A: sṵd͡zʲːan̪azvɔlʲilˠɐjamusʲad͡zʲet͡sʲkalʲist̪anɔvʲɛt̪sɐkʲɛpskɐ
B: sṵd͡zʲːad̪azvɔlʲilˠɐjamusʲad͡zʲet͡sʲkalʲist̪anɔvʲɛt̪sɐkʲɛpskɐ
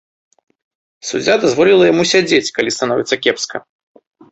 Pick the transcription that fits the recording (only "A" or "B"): B